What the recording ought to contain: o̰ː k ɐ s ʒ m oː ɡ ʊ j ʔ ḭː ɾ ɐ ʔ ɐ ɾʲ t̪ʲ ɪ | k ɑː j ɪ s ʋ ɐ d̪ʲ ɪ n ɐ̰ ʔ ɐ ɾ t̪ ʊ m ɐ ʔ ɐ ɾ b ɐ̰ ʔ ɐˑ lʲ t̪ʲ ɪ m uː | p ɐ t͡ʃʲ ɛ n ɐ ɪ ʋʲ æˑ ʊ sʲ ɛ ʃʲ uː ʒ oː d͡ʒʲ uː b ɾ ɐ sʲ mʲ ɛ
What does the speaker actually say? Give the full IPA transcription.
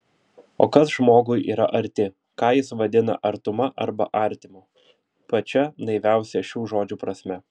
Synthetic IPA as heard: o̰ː k ɐ s ʒ m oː ɡ ʊ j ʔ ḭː ɾ ɐ ʔ ɐ ɾʲ t̪ʲ ɪ | k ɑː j ɪ s ʋ ɐ d̪ʲ ɪ n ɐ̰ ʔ ɐ ɾ t̪ ʊ m ɐ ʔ ɐ ɾ b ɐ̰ ʔ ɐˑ ɾʲ t̪ʲ ɪ m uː | p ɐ t͡ʃʲ ɛ n ɐ ɪ ʋʲ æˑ ʊ sʲ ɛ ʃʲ uː ʒ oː d͡ʒʲ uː p ɾ ɐ sʲ mʲ ɛ